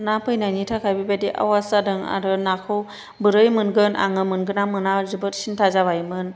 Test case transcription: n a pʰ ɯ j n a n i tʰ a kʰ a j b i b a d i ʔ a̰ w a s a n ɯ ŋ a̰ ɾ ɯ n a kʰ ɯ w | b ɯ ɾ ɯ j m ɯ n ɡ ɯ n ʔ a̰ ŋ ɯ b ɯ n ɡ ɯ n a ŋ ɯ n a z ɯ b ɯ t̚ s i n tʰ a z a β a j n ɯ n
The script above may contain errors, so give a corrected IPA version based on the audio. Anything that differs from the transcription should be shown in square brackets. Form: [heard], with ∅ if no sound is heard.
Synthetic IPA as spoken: n a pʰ ɯ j n a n i tʰ a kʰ a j b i b a d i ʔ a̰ w a s a [d] ɯ ŋ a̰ ɾ ɯ n a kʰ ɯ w | b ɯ ɾ ɯ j m ɯ n ɡ ɯ n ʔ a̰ ŋ ɯ [m] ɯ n ɡ ɯ n a [m] ɯ n a z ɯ b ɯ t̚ s i n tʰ a z a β a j [m] ɯ n